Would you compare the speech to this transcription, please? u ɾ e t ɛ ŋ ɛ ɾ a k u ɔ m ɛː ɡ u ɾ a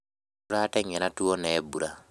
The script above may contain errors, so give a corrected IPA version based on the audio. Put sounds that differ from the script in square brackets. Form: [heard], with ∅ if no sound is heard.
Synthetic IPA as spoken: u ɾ [a] t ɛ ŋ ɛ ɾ a [t] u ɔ [n] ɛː [b] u ɾ a